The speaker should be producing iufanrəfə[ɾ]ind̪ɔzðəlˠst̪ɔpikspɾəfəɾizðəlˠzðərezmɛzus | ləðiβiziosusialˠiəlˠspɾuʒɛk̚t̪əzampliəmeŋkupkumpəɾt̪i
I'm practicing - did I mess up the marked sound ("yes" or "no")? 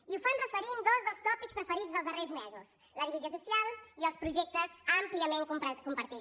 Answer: no